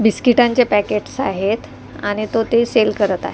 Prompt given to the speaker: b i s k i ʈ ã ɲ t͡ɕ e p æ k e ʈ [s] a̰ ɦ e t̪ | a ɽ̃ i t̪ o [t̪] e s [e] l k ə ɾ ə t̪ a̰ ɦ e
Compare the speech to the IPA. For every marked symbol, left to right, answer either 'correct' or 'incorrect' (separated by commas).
correct, correct, correct